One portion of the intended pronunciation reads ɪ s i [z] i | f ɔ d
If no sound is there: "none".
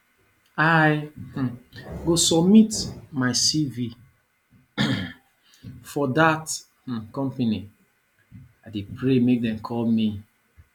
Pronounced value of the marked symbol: v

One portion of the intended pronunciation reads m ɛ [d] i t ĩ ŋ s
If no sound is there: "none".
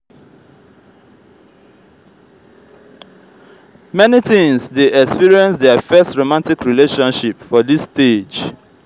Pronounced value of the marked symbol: n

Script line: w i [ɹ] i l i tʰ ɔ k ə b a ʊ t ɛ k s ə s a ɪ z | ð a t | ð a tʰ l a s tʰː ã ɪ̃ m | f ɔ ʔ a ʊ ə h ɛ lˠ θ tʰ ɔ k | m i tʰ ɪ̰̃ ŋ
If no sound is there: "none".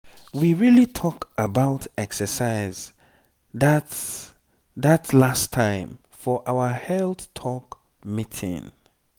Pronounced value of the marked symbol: ɹ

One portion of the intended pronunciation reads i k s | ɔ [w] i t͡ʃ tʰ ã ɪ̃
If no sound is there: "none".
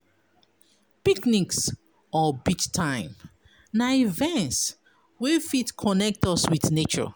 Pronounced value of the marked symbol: b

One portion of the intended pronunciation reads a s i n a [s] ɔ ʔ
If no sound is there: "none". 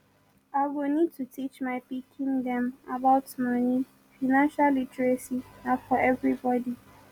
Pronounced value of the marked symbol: f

